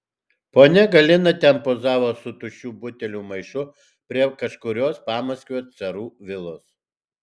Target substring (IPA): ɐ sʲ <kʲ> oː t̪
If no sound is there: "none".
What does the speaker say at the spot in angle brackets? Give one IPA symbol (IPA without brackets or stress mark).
kʲ